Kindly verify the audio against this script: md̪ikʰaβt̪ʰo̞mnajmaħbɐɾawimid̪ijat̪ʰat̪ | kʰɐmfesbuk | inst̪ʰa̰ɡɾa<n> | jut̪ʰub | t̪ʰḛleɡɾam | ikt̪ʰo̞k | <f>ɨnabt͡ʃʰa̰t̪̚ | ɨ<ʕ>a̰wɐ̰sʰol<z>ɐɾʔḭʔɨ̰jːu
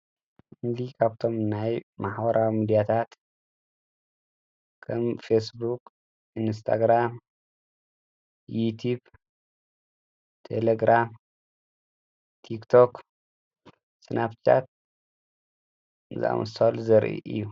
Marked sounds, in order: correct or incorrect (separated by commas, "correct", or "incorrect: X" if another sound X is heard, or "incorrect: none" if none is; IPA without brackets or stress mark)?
incorrect: m, incorrect: s, incorrect: z, correct